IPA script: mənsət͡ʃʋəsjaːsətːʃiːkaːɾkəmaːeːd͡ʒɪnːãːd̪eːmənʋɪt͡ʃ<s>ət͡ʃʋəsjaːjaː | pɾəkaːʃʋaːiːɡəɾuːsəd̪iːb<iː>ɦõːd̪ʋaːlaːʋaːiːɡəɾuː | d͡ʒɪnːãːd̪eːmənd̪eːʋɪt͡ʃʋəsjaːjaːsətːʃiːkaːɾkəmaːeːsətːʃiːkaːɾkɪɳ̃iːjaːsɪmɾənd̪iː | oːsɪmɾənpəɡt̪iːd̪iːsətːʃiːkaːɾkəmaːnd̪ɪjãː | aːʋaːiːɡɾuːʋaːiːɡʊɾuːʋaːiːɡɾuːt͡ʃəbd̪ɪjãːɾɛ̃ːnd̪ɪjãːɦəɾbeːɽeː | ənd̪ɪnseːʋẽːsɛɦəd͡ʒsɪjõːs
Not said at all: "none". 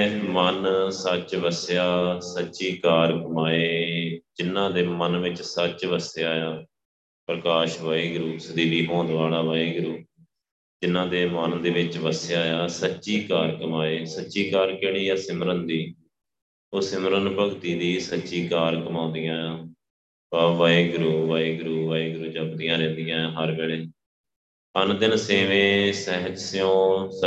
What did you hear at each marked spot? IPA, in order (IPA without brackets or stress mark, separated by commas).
s, iː